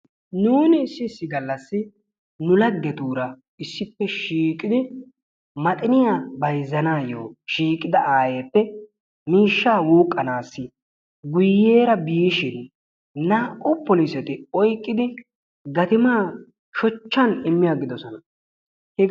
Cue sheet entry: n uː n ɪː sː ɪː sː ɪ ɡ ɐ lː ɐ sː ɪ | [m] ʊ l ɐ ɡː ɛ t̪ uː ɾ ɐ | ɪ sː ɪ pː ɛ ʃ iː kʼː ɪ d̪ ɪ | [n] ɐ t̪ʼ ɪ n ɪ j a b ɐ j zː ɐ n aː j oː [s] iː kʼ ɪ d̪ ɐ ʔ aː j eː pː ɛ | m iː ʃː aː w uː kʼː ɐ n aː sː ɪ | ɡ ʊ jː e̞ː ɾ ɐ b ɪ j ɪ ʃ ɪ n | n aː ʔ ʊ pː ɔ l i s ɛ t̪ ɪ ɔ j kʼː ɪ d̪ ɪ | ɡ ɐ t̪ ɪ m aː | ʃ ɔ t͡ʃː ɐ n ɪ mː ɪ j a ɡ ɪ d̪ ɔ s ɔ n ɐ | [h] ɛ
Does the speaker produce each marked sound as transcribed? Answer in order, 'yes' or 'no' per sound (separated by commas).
no, no, no, yes